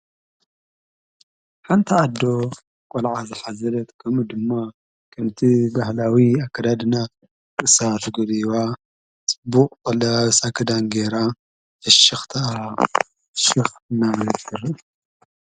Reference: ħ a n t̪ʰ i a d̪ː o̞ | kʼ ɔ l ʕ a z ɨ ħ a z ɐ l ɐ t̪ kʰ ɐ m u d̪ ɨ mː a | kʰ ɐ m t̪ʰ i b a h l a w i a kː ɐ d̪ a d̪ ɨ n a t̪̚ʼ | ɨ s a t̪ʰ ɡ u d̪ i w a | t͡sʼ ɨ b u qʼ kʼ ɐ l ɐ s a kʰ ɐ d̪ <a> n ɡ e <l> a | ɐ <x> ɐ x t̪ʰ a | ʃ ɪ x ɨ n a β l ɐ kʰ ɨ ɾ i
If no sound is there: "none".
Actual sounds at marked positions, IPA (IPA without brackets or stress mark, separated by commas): a, ɾ, ʃ